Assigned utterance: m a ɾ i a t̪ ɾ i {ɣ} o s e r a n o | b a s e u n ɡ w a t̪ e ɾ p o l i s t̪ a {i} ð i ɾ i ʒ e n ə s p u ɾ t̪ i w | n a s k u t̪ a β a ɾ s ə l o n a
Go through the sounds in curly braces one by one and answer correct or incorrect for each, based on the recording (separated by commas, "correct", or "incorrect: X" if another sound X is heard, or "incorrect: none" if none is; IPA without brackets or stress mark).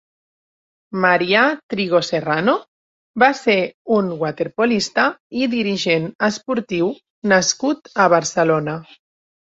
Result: correct, correct